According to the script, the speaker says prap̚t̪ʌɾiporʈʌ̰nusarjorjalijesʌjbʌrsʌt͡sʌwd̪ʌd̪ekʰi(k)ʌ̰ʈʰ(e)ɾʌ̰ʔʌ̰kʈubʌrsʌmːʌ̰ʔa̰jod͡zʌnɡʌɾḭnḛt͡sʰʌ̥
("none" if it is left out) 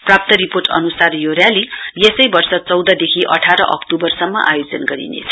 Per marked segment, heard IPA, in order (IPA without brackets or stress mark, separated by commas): ʔ, a